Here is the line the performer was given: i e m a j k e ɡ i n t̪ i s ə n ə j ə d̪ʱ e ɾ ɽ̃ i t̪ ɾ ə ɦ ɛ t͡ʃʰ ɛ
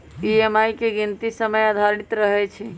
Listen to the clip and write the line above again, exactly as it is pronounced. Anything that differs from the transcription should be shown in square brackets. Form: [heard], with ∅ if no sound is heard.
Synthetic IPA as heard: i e m a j k e ɡ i n t̪ i s ə [m] ə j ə d̪ʱ [a] ɾ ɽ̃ i t̪ ɾ ə ɦ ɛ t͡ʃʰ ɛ